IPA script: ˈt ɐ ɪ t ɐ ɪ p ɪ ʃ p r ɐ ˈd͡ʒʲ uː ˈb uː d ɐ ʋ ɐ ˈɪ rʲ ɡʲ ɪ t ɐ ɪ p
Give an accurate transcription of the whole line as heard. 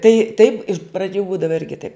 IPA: ˈt ɐ ɪ t ɐ ɪ p ɪ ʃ p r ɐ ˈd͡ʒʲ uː ˈb uː d ɐ ʋ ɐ ˈɪ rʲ ɡʲ ɪ t ɐ ɪ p